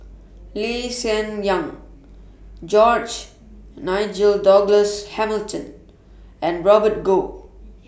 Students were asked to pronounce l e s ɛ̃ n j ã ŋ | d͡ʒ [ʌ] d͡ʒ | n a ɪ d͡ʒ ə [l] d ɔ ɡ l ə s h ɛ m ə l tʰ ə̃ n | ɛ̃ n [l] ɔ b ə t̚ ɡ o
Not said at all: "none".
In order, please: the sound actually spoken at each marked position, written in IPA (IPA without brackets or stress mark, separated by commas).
ɔ, l, ɹ